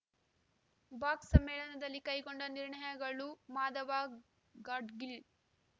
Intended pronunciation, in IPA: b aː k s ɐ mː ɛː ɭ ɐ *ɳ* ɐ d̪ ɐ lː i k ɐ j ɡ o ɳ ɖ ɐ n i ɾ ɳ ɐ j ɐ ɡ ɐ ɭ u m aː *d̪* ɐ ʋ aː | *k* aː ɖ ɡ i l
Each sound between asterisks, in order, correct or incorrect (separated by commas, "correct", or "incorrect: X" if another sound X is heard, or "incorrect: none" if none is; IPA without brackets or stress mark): incorrect: n, correct, incorrect: ɡ